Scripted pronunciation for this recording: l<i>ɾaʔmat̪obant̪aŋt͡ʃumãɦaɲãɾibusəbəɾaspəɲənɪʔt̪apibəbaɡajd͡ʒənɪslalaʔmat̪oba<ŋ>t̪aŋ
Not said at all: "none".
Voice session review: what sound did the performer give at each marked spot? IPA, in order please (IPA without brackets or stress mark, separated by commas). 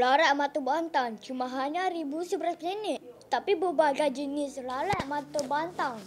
a, n